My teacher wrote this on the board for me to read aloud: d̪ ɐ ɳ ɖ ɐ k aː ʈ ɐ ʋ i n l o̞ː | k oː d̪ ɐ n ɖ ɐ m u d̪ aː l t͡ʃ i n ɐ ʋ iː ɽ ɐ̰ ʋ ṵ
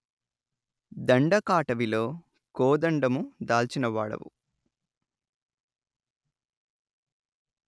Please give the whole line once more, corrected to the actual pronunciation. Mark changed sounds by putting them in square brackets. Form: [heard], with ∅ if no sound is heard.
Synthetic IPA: d̪ ɐ ɳ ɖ ɐ k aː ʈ ɐ ʋ i [∅] l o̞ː | k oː d̪ ɐ [ɳ] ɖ ɐ m u d̪ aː l t͡ʃ i n ɐ ʋ [aː] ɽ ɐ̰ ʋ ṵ